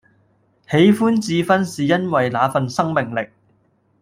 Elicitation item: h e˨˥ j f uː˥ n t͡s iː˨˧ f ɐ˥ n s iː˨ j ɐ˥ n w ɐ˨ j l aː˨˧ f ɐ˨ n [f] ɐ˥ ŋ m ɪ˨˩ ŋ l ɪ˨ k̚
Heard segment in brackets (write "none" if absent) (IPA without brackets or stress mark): s